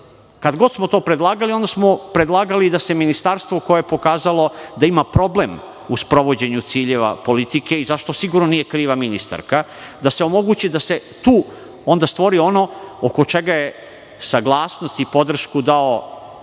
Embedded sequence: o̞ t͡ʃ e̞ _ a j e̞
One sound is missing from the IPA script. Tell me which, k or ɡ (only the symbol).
ɡ